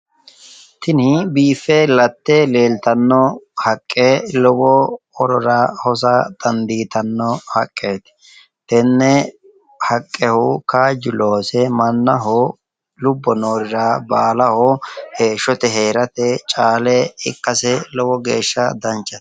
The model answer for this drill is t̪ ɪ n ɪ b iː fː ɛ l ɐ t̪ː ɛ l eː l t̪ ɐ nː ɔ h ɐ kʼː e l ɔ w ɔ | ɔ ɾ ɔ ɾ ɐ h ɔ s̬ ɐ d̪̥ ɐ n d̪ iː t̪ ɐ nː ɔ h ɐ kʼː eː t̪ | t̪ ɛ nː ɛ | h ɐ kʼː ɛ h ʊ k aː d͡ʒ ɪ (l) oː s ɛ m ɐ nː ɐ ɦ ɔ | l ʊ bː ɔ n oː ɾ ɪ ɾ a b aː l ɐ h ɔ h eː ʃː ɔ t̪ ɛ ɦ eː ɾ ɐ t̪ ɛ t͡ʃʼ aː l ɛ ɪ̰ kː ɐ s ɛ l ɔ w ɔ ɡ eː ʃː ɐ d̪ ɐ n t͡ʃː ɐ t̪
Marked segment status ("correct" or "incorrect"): correct